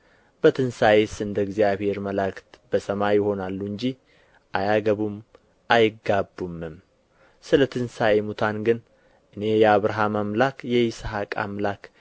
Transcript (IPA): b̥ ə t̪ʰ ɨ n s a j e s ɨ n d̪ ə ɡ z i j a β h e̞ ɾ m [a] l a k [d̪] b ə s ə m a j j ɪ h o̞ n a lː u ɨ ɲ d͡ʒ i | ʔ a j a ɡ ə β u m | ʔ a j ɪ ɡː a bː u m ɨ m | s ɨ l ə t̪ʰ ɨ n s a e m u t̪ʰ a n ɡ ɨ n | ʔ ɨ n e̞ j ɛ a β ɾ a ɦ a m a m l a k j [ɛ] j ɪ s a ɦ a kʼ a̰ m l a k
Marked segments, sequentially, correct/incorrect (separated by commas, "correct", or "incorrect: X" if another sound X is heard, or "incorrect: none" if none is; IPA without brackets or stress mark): incorrect: ə, incorrect: t̪, correct